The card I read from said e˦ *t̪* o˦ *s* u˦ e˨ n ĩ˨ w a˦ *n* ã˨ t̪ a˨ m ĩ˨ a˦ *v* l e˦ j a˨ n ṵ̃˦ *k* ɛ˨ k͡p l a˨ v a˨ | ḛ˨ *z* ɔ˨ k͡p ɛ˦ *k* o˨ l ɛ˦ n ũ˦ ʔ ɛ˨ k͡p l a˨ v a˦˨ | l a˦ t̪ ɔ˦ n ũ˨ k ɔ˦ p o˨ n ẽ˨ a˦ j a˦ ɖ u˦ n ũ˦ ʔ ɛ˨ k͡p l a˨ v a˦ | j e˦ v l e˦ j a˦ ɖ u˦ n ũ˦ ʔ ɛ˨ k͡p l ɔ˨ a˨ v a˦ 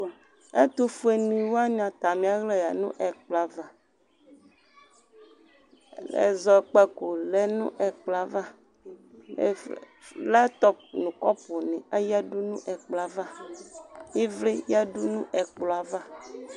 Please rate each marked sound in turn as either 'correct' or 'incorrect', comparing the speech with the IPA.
correct, incorrect: f, incorrect: ɲ, incorrect: ɣ, incorrect: ʔ, correct, correct

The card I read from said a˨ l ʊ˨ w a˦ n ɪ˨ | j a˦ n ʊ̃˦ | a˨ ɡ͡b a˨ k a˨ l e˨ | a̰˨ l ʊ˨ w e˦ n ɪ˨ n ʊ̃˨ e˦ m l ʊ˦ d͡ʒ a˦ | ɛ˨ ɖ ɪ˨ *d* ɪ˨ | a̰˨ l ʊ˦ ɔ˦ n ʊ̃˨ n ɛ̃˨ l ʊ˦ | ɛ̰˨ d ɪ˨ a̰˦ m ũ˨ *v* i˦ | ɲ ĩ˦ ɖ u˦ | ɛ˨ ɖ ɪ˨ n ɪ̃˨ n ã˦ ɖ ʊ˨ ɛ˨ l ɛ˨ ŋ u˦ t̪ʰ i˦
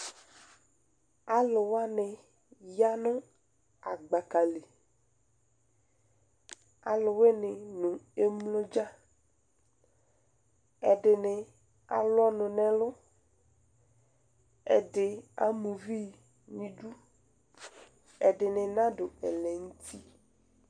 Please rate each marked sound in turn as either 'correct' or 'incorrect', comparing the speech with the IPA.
incorrect: n, correct

